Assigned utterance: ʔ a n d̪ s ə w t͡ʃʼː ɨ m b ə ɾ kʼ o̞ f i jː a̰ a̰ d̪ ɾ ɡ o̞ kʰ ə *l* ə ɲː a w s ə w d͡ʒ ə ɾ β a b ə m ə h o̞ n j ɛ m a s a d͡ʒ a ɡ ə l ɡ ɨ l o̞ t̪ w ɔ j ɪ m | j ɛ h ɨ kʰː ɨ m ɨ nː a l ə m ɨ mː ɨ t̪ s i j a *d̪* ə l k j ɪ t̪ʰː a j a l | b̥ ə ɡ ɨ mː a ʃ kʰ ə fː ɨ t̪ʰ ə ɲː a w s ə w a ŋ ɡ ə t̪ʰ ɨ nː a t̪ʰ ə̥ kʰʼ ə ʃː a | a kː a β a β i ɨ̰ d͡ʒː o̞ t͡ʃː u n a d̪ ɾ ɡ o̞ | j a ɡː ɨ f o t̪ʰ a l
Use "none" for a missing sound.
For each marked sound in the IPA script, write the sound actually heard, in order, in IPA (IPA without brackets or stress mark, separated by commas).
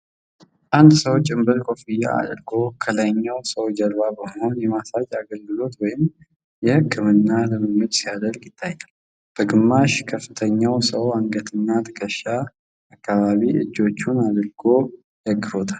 l, d̪